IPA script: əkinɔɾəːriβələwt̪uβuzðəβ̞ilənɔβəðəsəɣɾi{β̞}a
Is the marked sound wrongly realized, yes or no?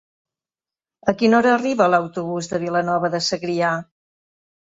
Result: yes